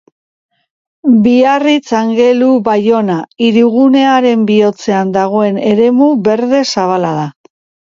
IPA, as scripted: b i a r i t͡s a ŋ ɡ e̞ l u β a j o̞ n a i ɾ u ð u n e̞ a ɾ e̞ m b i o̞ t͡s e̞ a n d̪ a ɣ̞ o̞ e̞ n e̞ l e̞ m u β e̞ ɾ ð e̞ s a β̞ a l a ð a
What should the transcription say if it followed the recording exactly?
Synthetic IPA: b i a r i t͡s a ŋ ɡ e̞ l u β a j o̞ n a i ɾ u ɣ u n e̞ a ɾ e̞ m b i o̞ t͡s e̞ a n d̪ a ɣ̞ o̞ e̞ n e̞ ɾ e̞ m u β e̞ ɾ ð e̞ s a β̞ a l a ð a